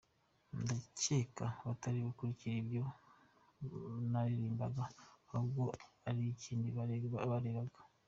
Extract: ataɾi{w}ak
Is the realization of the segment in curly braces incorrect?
yes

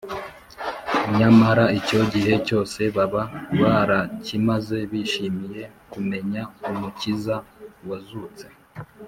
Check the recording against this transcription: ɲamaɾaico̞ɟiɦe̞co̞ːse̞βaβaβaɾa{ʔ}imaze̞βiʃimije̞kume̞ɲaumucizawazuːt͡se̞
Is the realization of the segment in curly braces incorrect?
yes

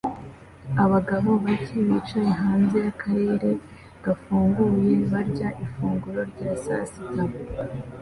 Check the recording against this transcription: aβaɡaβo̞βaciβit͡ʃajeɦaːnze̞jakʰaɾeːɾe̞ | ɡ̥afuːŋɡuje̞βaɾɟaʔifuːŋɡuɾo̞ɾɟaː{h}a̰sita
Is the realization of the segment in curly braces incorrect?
yes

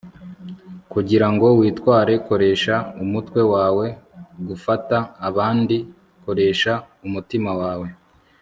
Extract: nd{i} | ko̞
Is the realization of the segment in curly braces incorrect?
no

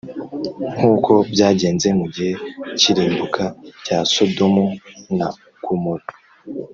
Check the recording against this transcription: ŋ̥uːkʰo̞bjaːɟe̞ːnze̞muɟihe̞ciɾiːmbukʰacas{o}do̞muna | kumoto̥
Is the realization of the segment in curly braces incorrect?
no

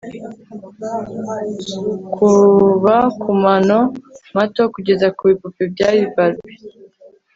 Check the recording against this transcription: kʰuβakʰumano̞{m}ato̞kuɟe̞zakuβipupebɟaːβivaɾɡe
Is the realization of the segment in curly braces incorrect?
no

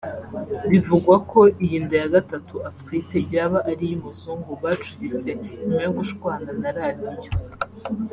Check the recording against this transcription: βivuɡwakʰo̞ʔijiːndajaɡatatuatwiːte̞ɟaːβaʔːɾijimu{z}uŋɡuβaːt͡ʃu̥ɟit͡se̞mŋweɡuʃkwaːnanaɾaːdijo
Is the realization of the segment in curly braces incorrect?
no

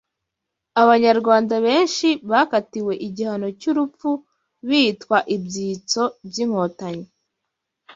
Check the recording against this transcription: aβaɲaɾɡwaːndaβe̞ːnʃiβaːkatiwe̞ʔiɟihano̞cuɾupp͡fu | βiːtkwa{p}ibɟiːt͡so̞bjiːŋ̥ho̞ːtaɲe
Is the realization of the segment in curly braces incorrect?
yes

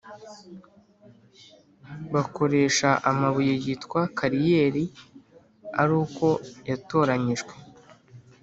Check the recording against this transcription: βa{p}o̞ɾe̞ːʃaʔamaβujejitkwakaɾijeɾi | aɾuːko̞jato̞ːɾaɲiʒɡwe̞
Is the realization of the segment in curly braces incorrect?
yes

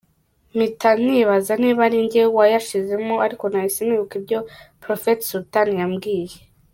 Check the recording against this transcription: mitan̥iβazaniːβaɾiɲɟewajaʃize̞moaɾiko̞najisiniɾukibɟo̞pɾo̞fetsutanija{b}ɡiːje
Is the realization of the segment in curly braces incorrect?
yes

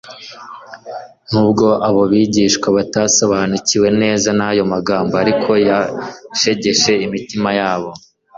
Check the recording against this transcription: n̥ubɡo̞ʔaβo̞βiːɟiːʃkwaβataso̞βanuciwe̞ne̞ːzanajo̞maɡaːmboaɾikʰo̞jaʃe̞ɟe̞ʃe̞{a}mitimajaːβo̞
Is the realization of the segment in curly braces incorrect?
yes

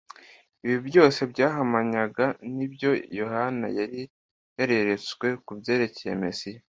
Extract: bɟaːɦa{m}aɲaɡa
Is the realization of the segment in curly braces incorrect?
no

